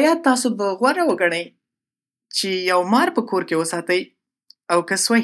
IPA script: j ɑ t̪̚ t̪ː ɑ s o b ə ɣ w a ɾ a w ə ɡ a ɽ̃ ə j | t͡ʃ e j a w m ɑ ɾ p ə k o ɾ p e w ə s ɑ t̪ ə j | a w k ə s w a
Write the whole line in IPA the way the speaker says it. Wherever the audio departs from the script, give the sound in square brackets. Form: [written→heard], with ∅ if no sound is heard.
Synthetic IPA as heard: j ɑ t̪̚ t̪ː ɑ s o b ə ɣ w a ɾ a w ə ɡ a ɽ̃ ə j | t͡ʃ e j a w m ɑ ɾ p ə k o ɾ [p→k] e w ə s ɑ t̪ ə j | a w k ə s w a